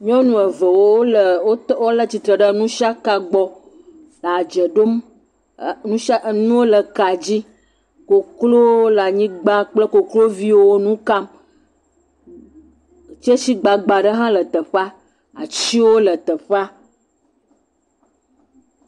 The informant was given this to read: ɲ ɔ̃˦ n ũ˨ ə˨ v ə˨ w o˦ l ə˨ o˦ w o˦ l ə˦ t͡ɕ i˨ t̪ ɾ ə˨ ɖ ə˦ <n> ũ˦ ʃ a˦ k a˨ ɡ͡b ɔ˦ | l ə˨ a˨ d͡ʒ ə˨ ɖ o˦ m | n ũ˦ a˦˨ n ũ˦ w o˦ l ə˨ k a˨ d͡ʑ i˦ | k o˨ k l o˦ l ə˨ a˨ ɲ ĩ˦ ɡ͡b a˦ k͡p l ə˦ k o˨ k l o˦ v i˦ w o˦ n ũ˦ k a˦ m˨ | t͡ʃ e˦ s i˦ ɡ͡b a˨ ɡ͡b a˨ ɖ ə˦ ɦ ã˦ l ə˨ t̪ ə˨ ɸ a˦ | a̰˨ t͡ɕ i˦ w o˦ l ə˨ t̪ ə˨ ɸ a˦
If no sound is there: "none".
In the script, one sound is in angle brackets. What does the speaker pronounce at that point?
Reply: n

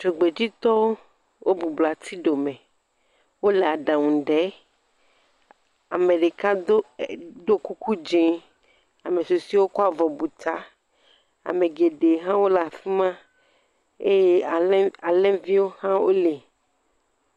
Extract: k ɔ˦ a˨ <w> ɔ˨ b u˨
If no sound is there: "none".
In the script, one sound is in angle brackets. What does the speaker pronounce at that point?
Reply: v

